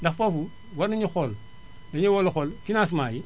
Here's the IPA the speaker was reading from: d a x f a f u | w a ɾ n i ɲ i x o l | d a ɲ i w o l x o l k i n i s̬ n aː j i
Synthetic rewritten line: d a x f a f u | w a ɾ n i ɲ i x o l | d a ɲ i w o l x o l k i n a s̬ m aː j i

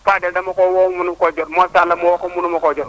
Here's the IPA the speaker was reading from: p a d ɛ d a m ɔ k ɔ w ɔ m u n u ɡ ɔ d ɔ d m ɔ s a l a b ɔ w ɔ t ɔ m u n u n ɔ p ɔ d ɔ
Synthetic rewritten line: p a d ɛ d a m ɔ k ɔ w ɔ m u n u k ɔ d͡ʒ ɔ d m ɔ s a l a m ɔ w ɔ k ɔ m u n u m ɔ k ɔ d͡ʒ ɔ

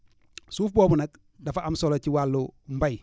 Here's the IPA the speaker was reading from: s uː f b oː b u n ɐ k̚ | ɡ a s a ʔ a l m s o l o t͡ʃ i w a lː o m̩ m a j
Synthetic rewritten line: s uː f b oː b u n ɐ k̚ | d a f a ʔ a m s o l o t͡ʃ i w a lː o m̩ b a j

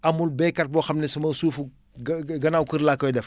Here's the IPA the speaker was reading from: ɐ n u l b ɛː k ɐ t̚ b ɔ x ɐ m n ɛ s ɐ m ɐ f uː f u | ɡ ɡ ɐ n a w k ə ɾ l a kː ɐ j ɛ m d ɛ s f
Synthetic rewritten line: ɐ m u l b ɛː k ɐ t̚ b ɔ x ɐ m n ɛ s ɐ m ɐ s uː f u | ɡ ɡ ɐ n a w k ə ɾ l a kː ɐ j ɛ d ɛ f

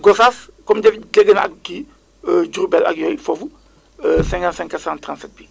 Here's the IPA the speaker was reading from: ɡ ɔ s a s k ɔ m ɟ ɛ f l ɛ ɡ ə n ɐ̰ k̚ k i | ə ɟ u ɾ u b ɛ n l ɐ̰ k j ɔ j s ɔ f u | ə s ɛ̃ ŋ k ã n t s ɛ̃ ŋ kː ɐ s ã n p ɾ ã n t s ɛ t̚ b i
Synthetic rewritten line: ɡ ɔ s a s k ɔ m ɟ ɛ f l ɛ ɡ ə n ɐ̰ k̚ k i | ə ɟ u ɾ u b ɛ l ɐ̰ k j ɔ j f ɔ f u | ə s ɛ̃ ŋ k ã n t s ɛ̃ ŋ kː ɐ s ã n t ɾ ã n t s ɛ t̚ b i

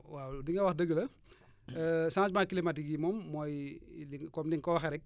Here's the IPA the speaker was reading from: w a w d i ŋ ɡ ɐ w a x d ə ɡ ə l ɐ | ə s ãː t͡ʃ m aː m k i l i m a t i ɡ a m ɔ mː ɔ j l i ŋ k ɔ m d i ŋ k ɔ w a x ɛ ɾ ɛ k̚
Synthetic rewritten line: w a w d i ŋ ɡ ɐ w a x d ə ɡ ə l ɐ | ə s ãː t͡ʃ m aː k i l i m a t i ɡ i m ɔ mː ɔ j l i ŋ k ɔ m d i ŋ k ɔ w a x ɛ ɾ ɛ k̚

